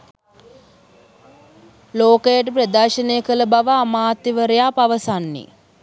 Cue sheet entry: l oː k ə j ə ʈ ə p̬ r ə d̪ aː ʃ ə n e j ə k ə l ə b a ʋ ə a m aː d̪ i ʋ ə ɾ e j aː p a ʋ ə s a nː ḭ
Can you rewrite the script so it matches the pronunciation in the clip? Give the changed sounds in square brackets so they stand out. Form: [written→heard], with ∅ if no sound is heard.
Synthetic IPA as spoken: l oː k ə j ə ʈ ə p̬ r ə d̪ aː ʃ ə n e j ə k ə l ə b a ʋ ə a m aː [d̪→t̪] i ʋ ə ɾ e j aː p a ʋ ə s a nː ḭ